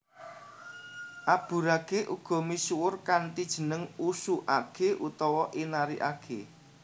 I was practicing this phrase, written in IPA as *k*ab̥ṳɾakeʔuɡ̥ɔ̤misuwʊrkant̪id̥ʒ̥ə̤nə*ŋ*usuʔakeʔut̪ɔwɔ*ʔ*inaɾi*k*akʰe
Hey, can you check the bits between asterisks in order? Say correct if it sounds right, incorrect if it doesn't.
incorrect: ʔ, correct, correct, incorrect: ʔ

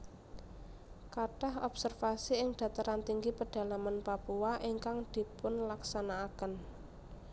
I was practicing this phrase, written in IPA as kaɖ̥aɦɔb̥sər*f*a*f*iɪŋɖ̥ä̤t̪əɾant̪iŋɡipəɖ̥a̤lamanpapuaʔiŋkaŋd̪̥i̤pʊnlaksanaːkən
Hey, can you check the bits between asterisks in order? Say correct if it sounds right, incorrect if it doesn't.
correct, incorrect: s

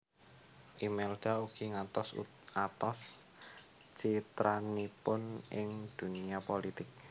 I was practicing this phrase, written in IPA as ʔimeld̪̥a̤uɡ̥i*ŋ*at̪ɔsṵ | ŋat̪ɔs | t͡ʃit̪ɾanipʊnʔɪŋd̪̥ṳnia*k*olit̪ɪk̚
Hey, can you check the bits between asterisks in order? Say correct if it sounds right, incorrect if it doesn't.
correct, incorrect: p

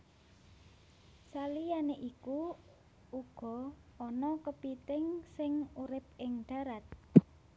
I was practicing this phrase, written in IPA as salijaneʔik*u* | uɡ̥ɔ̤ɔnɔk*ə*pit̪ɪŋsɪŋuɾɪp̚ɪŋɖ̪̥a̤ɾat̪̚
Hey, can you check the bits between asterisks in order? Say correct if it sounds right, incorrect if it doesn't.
correct, correct

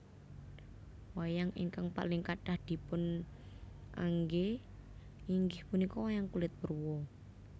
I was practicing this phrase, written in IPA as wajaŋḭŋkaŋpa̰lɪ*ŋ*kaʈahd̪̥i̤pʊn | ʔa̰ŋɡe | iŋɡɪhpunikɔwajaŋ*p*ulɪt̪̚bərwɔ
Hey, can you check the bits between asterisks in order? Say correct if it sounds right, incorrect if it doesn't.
correct, incorrect: k

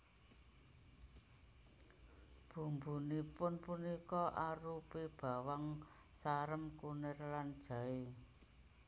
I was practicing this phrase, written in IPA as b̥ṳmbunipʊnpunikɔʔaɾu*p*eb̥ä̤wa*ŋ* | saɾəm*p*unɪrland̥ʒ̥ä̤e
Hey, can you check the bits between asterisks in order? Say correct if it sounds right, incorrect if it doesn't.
correct, correct, incorrect: k

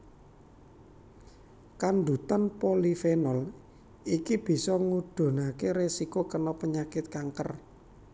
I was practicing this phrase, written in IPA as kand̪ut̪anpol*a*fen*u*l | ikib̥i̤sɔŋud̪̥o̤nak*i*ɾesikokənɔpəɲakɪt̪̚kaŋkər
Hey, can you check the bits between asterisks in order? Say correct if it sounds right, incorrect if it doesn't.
incorrect: i, incorrect: ɔ, incorrect: e

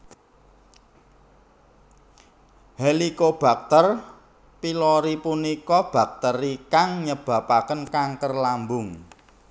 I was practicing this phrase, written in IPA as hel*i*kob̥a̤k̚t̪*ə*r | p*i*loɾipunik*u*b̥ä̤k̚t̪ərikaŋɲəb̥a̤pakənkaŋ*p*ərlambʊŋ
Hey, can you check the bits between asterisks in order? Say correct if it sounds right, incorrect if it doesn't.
correct, correct, correct, incorrect: ɔ, incorrect: k

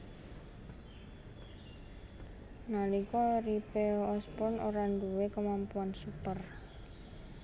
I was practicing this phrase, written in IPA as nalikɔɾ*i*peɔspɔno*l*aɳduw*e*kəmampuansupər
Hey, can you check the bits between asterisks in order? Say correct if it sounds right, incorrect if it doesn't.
correct, incorrect: ɾ, correct

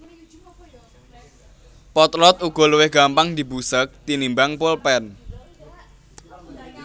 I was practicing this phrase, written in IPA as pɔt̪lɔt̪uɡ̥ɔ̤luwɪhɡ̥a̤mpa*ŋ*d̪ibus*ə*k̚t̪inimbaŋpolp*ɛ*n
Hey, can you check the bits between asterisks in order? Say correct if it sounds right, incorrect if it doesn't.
correct, correct, correct

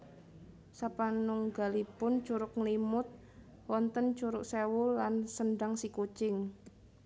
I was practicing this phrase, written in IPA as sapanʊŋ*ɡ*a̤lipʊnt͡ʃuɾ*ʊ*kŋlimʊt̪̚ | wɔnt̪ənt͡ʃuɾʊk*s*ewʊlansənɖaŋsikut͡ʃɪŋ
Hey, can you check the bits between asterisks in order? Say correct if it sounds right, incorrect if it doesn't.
correct, correct, correct

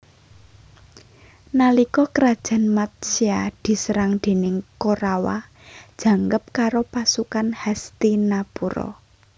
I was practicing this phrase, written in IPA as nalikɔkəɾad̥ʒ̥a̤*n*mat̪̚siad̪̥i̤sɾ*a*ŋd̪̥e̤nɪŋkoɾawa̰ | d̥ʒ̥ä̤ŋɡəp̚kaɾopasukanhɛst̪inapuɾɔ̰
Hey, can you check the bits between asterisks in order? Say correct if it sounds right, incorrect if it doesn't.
correct, correct

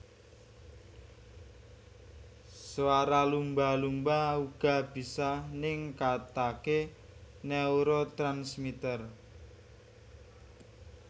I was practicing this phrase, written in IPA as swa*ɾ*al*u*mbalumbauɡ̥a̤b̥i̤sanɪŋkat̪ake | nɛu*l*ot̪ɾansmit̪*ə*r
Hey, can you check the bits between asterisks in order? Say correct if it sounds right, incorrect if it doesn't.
correct, correct, incorrect: ɾ, correct

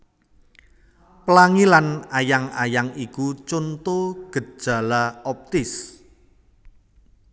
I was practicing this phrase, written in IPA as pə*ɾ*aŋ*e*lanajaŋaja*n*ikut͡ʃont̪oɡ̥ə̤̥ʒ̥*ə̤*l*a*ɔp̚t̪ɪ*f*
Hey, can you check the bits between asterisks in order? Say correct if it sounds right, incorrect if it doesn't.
incorrect: l, incorrect: i, incorrect: ŋ, incorrect: a̤, correct, incorrect: s

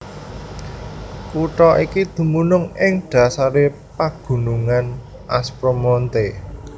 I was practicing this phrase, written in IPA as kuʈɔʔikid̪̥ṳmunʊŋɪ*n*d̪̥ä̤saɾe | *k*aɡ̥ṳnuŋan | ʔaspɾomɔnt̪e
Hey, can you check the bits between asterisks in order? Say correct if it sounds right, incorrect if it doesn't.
incorrect: ŋ, incorrect: p

